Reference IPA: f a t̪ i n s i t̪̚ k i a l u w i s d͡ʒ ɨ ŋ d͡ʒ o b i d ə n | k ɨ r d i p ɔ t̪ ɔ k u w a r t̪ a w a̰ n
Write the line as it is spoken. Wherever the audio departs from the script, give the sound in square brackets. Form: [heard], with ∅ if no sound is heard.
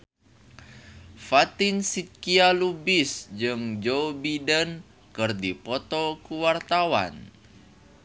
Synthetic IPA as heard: f a t̪ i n s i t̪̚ k i a l u [b] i s d͡ʒ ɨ ŋ d͡ʒ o b i d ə n | k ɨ r d i p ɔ t̪ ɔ k u w a r t̪ a w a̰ n